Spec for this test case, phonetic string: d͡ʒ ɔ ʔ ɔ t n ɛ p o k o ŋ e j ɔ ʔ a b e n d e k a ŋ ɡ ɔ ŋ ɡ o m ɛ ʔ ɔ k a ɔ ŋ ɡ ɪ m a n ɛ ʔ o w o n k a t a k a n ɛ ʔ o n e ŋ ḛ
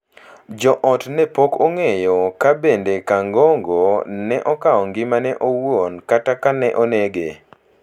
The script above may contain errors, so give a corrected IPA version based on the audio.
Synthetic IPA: d͡ʒ ɔ ʔ ɔ t n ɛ p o k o ŋ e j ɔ k a b e n d e k a ŋ ɡ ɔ ŋ ɡ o n ɛ ʔ ɔ k a ɔ ŋ ɡ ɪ m a n ɛ ʔ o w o n k a t a k a n ɛ ʔ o n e ɡ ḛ

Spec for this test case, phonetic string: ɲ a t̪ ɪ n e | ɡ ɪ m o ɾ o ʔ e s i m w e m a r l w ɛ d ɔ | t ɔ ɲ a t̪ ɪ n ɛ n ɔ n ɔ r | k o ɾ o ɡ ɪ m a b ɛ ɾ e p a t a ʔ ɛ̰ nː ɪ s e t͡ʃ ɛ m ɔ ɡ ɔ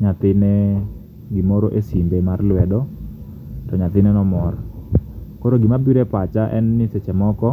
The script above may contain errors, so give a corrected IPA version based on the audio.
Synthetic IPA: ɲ a t̪ ɪ n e | ɡ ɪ m o ɾ o ʔ e s i m b e m a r l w ɛ d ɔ | t ɔ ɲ a t̪ ɪ n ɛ n ɔ m ɔ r | k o ɾ o ɡ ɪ m a b i ɾ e p a t͡ʃ a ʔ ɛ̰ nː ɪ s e t͡ʃ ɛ m ɔ k ɔ

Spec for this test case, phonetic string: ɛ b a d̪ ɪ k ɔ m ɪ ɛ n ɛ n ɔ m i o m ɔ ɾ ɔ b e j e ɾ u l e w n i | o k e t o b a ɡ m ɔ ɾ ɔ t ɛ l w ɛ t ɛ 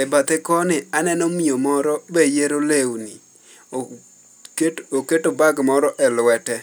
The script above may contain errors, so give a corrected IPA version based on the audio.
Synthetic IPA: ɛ b a t̪ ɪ k ɔ n ɪ a n ɛ n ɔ m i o m ɔ ɾ ɔ b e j e ɾ o l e w n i | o k e t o b a ɡ m ɔ ɾ ɔ ʔ ɛ l w ɛ t ɛ

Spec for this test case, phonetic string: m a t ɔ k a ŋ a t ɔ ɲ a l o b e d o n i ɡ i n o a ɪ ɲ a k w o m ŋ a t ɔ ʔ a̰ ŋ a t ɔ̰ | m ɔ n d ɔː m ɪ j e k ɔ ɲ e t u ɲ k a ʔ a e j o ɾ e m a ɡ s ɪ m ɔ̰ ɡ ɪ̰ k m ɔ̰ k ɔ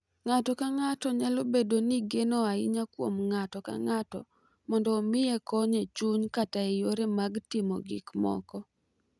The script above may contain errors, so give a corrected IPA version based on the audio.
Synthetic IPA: ŋ a t ɔ k a ŋ a t ɔ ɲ a l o b e d o n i ɡ e n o a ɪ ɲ a k w o m ŋ a t ɔ k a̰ ŋ a t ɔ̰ | m ɔ n d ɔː m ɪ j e k ɔ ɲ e t͡ʃ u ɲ k a t a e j o ɾ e m a ɡ t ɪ m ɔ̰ ɡ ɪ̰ k m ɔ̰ k ɔ

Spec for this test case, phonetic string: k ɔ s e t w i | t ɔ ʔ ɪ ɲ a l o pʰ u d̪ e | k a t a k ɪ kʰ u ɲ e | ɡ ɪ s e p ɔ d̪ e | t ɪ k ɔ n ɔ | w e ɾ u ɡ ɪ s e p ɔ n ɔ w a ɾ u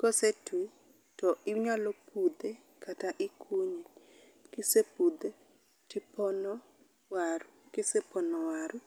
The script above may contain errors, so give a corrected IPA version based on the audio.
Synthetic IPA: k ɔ s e t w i | t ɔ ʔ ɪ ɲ a l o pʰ u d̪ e | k a t a ʔ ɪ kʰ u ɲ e | k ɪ s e p u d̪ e | t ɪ p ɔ n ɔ | w a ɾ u k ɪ s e p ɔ n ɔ w a ɾ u

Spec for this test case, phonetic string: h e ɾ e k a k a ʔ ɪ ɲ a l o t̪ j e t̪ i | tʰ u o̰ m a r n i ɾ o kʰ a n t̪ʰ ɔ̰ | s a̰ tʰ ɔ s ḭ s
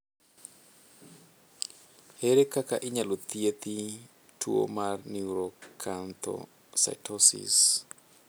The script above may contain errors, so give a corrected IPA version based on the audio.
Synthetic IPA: h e ɾ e k a k a ʔ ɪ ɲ a l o t̪ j e t̪ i | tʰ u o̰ m a r n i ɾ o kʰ a n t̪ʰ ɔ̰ | s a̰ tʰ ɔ s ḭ s

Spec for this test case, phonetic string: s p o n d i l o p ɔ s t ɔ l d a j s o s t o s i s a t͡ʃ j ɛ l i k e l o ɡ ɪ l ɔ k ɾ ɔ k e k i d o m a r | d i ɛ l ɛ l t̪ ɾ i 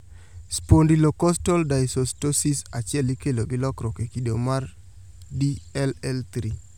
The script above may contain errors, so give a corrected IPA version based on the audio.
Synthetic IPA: s p o n d i l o k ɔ s t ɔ l d a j s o s t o s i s a t͡ʃ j ɛ l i k e l o ɡ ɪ l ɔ k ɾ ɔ k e k i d o m a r | d i ɛ l ɛ l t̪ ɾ i

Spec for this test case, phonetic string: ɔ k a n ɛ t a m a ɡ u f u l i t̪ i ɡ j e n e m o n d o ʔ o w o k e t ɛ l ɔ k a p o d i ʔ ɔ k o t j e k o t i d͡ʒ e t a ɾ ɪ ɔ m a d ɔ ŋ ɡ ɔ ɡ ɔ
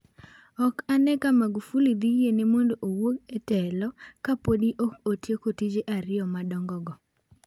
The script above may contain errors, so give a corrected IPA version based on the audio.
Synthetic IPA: ɔ k a n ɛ k a m a ɡ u f u l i d̪ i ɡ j e n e m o n d o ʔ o w o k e t ɛ l ɔ k a p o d i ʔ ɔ k o t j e k o t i d͡ʒ e ʔ a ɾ ɪ ɔ m a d ɔ ŋ ɡ ɔ ɡ ɔ

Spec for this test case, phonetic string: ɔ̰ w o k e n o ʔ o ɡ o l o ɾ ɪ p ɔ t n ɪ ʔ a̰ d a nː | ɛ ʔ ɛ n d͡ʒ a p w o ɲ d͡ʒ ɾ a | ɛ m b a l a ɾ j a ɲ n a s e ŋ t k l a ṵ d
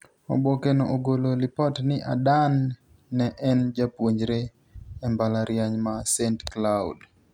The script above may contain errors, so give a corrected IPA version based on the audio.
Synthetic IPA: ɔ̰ b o k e n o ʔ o ɡ o l o l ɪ p ɔ t n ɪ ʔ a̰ d a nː | ɛ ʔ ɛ n d͡ʒ a p w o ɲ d͡ʒ ɾ e | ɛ m b a l a ɾ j a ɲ m a s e n t k l a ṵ d

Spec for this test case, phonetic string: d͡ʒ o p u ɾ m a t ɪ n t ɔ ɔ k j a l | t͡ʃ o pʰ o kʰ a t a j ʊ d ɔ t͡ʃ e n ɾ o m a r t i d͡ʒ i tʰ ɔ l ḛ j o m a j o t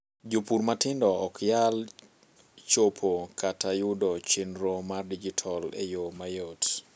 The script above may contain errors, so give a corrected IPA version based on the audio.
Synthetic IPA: d͡ʒ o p u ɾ m a t ɪ n d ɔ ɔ k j a l | t͡ʃ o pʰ o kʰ a t a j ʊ d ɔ t͡ʃ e n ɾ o m a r d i d͡ʒ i tʰ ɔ l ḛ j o m a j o t

